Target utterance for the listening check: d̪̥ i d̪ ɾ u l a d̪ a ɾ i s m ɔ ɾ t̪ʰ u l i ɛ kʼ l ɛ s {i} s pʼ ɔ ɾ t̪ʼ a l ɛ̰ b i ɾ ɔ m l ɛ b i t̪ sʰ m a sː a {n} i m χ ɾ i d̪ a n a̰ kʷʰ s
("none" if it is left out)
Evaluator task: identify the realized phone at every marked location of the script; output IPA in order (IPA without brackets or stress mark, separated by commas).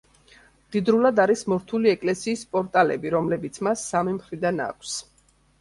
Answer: iː, m